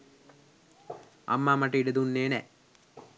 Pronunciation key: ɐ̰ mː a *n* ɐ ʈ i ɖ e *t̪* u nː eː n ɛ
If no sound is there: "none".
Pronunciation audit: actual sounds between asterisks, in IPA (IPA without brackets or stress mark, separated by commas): m, d̪